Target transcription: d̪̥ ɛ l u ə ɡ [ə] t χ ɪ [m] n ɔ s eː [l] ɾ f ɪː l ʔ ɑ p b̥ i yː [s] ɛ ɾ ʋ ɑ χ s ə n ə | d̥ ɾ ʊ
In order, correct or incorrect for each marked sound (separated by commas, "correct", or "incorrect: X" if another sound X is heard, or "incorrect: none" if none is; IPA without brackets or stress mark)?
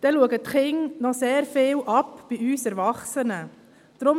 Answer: correct, incorrect: ŋ, incorrect: none, correct